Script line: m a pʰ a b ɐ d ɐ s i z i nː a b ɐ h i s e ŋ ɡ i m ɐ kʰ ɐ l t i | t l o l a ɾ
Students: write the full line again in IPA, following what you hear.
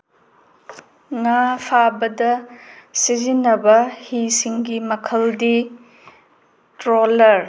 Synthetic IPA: ŋ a pʰ a b ɐ d ɐ s i z i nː ɐ b ɐ h i s i ŋ ɡ i m ɐ kʰ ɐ l d i | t ɾ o l ɐ ɾ